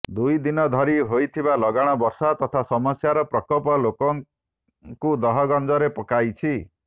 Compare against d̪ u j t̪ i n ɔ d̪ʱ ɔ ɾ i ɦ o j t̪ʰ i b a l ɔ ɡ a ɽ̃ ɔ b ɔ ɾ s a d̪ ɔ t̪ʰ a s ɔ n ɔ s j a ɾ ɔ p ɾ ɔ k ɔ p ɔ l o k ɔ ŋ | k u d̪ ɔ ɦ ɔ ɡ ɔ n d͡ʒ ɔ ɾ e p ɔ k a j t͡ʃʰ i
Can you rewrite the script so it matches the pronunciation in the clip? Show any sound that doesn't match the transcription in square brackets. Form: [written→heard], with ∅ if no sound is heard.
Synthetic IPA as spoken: d̪ u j [t̪→d̪] i n ɔ d̪ʱ ɔ ɾ i ɦ o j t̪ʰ i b a l ɔ ɡ a ɽ̃ ɔ b ɔ ɾ s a [d̪→t̪] ɔ t̪ʰ a s ɔ [n→m] ɔ s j a ɾ ɔ p ɾ ɔ k ɔ p ɔ l o k ɔ ŋ | k u d̪ ɔ ɦ ɔ ɡ ɔ n d͡ʒ ɔ ɾ e p ɔ k a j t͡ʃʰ i